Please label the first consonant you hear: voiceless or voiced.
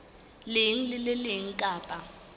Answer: voiced